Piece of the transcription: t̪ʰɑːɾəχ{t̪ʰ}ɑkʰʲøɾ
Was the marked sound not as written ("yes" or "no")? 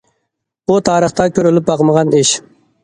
yes